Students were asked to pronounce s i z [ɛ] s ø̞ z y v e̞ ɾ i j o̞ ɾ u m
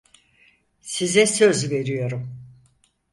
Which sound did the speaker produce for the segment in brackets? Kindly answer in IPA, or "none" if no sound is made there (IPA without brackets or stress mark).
ɛ